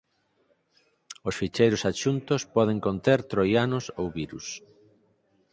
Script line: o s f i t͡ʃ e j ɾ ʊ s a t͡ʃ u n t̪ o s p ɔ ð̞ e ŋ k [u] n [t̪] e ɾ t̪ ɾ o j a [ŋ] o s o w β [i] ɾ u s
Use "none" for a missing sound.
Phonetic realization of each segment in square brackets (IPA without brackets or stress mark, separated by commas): o, t̪, n, i